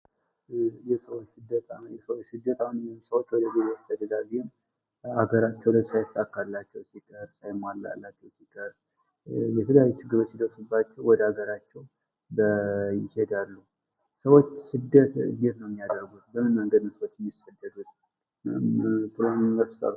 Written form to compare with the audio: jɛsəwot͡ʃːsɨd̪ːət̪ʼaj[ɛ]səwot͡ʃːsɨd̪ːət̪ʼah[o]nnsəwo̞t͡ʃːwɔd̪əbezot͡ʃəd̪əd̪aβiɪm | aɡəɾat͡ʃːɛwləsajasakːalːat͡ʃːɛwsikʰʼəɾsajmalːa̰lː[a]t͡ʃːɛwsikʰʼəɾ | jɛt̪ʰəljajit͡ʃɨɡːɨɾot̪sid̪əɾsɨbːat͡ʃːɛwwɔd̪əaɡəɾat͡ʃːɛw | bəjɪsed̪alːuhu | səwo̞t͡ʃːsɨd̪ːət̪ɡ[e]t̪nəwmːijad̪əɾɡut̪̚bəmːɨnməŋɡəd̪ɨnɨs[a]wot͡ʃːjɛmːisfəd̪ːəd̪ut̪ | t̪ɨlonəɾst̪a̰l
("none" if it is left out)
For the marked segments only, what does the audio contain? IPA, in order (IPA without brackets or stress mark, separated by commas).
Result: ɛ, u, a, e, ə